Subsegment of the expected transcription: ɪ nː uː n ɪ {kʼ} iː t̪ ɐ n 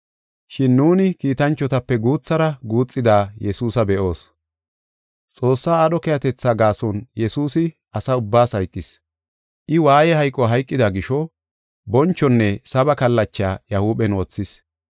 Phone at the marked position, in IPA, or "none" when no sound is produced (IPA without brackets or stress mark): k